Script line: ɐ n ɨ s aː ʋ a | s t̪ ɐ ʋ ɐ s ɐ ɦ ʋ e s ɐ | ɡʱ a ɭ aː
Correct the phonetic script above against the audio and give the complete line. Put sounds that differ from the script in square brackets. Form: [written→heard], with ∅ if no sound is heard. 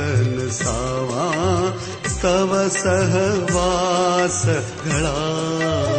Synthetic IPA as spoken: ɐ n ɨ s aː ʋ a | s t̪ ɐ ʋ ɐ s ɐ ɦ ʋ [e→a] s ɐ | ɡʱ [a→ɐ] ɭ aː